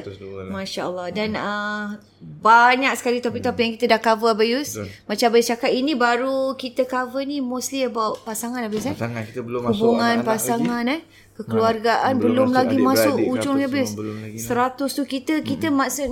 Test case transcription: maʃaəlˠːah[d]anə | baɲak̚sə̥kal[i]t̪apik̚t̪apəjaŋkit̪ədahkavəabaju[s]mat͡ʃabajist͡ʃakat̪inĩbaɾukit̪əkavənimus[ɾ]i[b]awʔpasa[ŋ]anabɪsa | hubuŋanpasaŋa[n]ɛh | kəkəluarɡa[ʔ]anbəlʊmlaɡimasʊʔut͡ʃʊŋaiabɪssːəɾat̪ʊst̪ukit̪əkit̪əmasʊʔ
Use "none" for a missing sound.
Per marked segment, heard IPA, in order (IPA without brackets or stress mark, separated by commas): d, i, s, l, b, ŋ, n, ʔ